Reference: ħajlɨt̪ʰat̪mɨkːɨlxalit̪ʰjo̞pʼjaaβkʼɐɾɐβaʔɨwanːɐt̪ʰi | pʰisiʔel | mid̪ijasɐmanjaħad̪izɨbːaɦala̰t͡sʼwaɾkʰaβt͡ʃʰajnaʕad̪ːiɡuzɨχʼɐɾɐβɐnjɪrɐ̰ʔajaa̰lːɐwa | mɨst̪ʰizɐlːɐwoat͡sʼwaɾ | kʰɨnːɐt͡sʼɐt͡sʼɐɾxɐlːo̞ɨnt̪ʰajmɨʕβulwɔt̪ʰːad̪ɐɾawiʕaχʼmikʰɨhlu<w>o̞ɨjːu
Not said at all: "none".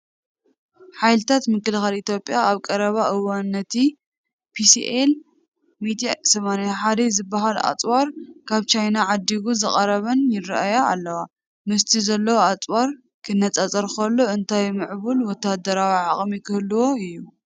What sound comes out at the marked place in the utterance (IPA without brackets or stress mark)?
w